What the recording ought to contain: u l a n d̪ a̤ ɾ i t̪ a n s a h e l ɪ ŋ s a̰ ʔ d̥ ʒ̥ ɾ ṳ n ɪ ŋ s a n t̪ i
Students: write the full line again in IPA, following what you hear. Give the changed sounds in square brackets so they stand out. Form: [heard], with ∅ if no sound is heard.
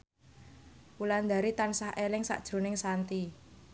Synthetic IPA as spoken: u l a n d̪ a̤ ɾ i t̪ a n s a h e l ɪ ŋ s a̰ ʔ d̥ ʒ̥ ɾ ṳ n ɪ ŋ s a n t̪ i